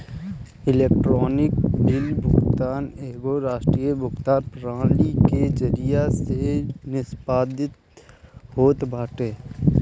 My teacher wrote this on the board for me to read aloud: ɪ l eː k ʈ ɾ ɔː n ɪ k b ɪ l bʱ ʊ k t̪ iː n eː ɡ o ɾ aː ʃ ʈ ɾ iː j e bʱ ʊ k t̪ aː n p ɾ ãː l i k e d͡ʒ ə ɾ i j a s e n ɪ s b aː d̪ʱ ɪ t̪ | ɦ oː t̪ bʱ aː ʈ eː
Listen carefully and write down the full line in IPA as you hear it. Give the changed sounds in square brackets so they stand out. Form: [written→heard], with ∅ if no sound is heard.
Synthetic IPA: ɪ l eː k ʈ ɾ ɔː n ɪ k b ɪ l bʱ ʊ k t̪ [iː→aː] n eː ɡ o ɾ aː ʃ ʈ ɾ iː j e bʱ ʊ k t̪ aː n p ɾ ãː l i k e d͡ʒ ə ɾ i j a s e n ɪ s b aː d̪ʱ ɪ t̪ | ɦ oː t̪ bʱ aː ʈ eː